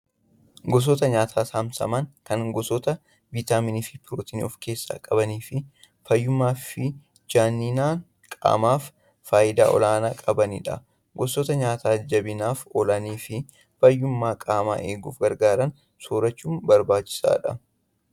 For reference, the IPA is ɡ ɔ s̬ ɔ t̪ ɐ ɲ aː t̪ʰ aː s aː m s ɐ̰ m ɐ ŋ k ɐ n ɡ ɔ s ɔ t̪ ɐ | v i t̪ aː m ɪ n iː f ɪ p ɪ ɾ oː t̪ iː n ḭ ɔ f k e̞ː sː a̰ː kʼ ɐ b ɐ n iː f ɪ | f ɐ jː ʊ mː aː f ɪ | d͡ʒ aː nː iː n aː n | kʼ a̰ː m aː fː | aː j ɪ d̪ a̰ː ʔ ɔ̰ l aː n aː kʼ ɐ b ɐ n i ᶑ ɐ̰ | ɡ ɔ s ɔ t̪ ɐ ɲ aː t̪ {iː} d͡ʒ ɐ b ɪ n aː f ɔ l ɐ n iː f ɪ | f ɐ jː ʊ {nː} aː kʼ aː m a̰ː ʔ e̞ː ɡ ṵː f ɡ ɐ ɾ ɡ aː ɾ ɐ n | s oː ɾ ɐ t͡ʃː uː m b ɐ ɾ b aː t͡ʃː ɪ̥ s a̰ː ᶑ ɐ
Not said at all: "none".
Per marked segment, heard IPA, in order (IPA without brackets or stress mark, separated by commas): aː, mː